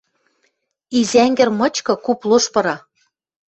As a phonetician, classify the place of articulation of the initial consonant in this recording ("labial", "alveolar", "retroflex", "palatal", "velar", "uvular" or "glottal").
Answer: alveolar